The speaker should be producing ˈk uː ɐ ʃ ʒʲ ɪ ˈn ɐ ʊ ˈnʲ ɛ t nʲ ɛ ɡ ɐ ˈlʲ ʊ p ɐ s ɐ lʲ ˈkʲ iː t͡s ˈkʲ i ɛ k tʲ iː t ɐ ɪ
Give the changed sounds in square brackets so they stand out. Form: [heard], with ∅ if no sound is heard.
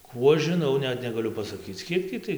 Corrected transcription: ˈk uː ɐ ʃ ʒʲ ɪ ˈn ɐ ʊ ˈnʲ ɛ t nʲ ɛ ɡ ɐ ˈlʲ ʊ p ɐ s ɐ [∅] ˈkʲ iː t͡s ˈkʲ i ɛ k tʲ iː t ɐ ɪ